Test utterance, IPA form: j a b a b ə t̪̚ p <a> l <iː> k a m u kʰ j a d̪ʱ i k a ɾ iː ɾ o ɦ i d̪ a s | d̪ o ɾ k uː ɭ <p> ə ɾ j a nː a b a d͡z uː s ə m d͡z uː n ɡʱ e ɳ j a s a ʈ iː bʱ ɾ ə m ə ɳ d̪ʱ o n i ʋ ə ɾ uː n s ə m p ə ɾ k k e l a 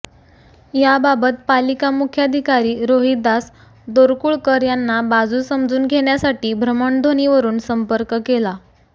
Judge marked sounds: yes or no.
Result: yes, no, no

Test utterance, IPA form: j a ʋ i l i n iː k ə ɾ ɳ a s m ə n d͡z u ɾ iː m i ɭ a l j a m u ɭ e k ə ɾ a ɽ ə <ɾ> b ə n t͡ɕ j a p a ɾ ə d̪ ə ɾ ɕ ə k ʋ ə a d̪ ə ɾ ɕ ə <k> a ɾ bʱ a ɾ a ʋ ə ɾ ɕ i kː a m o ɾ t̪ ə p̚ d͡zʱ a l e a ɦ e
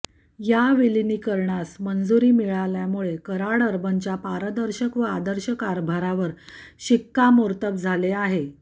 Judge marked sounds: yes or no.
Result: yes, yes

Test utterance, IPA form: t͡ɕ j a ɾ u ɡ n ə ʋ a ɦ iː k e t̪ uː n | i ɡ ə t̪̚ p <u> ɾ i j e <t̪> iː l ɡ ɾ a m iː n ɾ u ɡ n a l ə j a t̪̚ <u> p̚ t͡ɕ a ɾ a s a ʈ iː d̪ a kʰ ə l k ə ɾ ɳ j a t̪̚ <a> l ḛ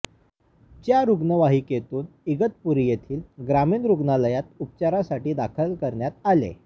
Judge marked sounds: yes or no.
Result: yes, no, yes, yes

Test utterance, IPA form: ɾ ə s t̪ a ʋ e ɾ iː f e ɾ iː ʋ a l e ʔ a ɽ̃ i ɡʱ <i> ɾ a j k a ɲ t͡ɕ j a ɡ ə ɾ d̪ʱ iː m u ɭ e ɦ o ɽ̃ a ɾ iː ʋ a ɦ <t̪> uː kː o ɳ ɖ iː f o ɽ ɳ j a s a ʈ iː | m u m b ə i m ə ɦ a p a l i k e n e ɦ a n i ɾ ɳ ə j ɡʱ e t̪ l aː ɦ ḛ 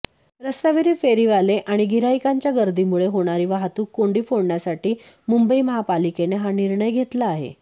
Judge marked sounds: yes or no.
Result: yes, yes

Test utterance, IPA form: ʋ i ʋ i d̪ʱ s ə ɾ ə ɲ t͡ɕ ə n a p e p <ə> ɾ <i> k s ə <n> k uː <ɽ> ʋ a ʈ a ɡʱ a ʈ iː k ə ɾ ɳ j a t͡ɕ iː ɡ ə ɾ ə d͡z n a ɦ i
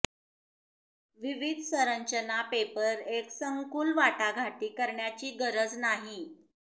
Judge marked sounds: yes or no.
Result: yes, no, no, no

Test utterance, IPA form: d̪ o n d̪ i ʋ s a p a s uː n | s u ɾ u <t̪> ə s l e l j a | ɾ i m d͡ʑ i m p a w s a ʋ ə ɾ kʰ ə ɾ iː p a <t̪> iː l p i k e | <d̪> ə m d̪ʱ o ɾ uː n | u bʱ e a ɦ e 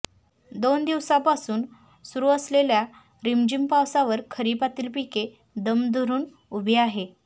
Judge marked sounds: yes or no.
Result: no, yes, yes

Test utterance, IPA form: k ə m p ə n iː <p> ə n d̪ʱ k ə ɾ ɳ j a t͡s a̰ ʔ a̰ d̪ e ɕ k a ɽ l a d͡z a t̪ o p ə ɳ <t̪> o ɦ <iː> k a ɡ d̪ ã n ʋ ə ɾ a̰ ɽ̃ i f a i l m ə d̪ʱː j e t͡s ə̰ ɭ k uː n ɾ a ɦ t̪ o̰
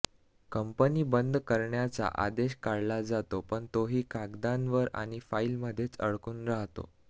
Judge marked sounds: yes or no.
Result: no, yes, yes

